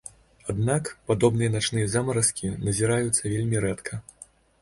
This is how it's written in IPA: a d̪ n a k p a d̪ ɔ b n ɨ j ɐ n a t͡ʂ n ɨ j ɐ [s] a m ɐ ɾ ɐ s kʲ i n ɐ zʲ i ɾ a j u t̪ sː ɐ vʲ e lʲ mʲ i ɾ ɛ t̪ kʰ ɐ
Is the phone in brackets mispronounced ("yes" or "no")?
yes